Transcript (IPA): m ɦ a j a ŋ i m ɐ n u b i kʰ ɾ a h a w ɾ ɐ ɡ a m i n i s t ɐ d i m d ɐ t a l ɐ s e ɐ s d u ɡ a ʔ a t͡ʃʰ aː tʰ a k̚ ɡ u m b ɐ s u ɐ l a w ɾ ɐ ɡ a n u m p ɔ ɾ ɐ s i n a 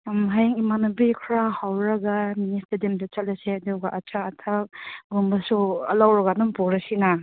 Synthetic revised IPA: m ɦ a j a ŋ i m a n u b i kʰ ɾ a h a w ɾ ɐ ɡ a m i n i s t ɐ d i m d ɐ t͡ʃ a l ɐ s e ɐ d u ɡ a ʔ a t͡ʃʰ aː tʰ a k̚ ɡ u m b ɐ s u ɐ l a w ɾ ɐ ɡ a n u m p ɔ ɾ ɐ s i n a